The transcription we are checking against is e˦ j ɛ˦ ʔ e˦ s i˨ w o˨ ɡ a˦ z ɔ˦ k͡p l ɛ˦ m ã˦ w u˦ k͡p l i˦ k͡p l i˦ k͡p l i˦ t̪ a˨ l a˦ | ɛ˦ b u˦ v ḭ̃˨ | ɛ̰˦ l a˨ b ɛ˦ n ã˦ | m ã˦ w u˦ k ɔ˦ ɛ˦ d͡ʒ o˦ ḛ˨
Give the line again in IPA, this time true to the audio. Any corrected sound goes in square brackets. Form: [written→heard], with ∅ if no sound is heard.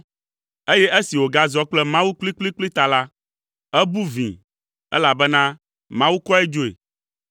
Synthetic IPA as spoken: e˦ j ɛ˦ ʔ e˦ s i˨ w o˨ ɡ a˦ z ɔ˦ k͡p l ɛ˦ m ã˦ w u˦ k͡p l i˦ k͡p l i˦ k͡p l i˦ t̪ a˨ l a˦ | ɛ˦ b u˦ v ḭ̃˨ | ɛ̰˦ l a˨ b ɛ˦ n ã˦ | m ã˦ w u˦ k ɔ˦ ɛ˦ d͡ʒ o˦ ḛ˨